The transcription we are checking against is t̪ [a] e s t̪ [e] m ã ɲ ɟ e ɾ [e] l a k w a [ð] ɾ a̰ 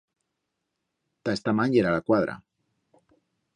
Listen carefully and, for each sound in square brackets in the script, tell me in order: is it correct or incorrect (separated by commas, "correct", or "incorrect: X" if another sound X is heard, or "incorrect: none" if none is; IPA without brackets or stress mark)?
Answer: correct, incorrect: a, incorrect: a, correct